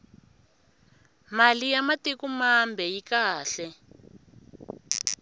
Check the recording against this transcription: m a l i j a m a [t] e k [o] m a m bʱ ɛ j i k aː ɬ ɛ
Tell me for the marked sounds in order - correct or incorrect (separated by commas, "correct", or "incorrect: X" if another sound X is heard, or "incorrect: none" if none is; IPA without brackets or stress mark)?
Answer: correct, incorrect: u